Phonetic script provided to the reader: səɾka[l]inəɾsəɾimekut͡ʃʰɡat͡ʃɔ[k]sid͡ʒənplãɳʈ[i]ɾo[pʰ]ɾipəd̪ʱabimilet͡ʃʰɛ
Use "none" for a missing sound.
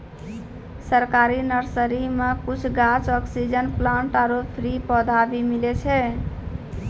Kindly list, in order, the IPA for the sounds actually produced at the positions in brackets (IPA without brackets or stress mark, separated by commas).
ɾ, k, a, pʰ